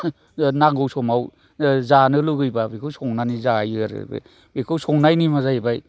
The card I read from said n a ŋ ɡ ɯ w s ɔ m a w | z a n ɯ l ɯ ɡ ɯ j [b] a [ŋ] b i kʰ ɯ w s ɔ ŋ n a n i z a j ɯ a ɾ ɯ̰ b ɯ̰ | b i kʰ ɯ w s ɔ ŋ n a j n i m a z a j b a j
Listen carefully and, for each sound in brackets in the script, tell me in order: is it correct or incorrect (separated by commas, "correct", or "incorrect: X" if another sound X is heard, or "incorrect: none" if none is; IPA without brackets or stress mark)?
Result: correct, incorrect: none